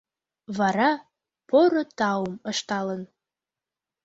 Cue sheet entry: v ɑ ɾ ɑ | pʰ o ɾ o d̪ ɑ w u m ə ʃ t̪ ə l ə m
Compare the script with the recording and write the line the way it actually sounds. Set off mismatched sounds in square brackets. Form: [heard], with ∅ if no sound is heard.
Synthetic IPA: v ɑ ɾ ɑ | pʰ o ɾ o [t̪] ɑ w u m ə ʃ t̪ [ɑ] l ə [n]